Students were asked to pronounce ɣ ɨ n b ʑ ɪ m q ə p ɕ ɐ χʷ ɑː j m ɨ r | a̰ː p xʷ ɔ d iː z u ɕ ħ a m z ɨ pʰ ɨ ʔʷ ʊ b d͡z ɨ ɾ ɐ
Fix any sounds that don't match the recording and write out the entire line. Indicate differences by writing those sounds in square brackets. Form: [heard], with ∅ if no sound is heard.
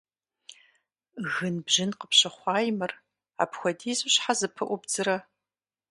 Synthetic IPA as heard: ɣ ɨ n b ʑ ɪ [n] q ə p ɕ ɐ χʷ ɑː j m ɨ r | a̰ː p xʷ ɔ d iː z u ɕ ħ a [∅] z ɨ pʰ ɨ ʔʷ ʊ b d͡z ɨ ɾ ɐ